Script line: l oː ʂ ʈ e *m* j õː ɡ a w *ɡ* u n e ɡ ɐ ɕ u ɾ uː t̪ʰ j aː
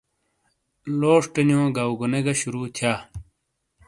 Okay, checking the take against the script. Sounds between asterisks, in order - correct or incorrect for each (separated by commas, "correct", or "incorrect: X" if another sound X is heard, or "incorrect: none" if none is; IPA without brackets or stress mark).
incorrect: n, correct